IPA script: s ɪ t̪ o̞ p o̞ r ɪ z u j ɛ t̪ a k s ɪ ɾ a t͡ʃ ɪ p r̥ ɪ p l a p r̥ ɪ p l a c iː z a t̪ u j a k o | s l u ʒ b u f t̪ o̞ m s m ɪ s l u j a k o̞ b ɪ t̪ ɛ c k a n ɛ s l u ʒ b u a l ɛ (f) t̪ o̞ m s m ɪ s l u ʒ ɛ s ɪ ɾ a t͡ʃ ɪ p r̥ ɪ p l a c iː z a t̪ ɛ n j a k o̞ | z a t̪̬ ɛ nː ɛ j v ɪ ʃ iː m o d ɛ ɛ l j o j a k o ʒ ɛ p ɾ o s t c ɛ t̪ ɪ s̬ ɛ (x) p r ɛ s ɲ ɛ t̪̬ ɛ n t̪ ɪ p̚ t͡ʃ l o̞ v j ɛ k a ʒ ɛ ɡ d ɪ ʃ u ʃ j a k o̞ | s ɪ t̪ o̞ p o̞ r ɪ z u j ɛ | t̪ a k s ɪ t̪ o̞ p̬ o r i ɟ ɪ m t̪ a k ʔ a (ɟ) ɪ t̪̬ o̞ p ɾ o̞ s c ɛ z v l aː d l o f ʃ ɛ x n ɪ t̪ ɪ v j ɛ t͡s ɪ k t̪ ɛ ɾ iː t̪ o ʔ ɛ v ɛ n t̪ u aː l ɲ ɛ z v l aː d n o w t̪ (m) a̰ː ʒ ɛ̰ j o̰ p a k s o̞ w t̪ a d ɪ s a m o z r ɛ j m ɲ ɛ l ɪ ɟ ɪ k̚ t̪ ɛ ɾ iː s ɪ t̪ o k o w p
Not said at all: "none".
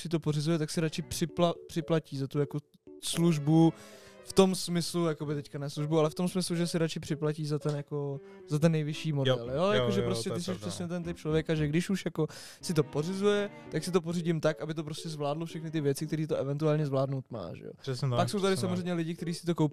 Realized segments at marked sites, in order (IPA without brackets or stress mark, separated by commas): f, ʃ, b, m